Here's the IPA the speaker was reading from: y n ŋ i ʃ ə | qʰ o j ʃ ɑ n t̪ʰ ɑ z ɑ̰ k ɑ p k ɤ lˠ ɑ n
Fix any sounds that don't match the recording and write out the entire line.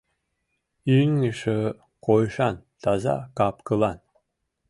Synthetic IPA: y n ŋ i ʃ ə | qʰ o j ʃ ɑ n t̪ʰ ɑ z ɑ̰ k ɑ p k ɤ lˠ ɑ n